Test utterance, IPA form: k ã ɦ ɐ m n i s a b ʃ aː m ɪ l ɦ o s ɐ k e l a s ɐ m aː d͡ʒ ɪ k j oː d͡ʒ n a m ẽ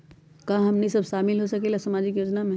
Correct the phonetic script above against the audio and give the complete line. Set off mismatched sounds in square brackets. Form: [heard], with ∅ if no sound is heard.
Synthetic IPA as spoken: k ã ɦ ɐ m n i s [ɐ] b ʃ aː m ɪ l ɦ o s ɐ k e l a s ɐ m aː d͡ʒ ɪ k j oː d͡ʒ n a m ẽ